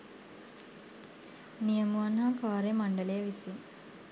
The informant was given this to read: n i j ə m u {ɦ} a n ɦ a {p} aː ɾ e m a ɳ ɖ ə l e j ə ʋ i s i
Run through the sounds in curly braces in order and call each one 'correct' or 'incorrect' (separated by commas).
incorrect, incorrect